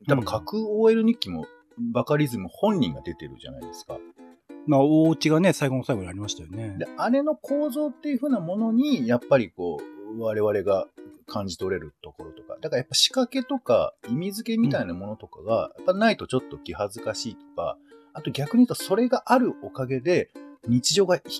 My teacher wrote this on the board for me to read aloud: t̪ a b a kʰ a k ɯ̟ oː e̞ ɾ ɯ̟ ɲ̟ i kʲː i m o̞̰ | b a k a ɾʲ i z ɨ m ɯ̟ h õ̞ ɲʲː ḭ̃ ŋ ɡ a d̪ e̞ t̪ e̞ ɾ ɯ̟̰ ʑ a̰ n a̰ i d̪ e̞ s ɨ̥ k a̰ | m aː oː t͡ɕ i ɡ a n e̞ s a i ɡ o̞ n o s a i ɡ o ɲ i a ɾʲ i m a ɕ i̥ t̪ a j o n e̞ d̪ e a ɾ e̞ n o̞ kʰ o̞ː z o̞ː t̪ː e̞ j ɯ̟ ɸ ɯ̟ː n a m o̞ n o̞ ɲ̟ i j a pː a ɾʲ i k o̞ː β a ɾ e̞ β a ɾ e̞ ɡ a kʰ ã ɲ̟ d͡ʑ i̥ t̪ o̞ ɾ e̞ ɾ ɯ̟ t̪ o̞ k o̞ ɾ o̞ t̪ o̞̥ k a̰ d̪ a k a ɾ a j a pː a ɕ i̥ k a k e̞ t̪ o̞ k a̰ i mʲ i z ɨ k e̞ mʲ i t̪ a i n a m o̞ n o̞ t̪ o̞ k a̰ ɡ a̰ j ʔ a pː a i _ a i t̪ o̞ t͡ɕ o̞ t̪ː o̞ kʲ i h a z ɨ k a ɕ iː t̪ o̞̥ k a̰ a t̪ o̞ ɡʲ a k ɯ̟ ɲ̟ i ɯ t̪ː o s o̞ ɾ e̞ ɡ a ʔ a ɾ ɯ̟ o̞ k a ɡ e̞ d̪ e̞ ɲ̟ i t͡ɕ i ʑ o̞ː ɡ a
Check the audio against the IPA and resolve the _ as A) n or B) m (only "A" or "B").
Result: A